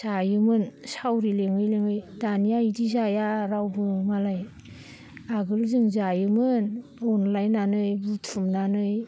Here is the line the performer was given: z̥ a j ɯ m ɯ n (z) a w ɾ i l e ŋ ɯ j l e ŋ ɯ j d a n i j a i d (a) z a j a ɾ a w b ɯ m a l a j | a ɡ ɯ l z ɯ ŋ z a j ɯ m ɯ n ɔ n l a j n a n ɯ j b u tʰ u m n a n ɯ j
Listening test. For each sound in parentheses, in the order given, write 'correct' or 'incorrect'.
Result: incorrect: s, incorrect: i

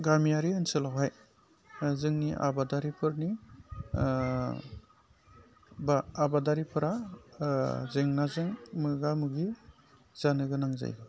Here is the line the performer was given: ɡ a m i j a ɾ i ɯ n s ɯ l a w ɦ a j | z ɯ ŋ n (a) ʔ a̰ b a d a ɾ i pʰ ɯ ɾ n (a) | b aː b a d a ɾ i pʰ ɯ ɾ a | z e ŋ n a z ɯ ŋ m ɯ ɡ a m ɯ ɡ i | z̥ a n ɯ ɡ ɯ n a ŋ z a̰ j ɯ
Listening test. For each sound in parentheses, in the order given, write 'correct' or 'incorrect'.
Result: incorrect: i, incorrect: i

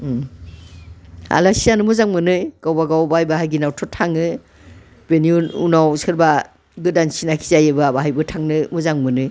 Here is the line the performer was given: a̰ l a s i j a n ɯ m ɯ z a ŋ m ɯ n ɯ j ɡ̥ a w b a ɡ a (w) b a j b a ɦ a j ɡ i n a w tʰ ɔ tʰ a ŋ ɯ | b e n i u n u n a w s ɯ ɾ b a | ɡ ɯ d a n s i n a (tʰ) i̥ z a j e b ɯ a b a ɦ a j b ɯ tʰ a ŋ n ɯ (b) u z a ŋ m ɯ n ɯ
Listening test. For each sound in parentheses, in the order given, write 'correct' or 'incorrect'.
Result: correct, incorrect: kʰ, incorrect: m

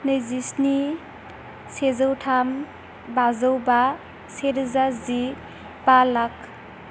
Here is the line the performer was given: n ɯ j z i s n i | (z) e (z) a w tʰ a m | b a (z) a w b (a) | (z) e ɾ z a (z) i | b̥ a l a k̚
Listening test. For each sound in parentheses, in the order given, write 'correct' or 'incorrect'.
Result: incorrect: s, correct, correct, correct, incorrect: s, correct

